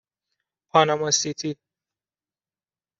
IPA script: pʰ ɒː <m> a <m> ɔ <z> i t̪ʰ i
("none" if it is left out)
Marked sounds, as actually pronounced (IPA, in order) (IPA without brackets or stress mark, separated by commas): n, m, s